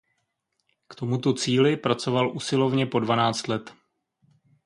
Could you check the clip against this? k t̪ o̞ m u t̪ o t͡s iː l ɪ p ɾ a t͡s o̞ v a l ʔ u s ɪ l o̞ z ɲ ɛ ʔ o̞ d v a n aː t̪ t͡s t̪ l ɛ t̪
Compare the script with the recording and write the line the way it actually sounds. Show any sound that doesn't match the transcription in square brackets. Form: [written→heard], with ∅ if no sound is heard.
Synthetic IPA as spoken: k t̪ o̞ m u t̪ o t͡s iː l ɪ p ɾ a t͡s o̞ v a l ʔ u s ɪ l o̞ [z→v] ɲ ɛ [ʔ→p] o̞ d v a n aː [t̪→∅] t͡s t̪ l ɛ t̪